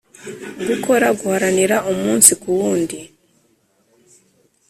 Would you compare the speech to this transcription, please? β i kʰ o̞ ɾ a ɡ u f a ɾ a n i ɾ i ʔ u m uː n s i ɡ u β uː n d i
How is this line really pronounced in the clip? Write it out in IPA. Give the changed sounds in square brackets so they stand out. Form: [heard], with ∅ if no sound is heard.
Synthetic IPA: β i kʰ o̞ ɾ a ɡ u [h] a ɾ a n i ɾ [a] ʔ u m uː n s i [k] u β uː n d i